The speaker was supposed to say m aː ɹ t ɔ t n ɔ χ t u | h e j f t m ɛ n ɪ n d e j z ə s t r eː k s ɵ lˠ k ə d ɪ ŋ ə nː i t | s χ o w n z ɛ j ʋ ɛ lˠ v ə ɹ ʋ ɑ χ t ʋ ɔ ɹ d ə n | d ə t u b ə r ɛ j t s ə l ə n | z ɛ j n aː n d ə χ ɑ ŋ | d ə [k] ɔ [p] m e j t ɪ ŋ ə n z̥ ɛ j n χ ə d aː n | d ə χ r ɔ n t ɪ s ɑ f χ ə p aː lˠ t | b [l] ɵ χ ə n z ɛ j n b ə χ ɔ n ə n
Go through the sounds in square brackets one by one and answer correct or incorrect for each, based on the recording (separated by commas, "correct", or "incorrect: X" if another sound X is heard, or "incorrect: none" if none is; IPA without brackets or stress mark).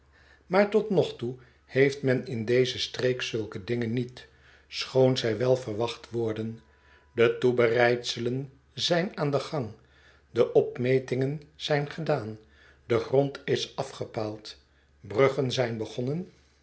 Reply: incorrect: ʔ, correct, incorrect: r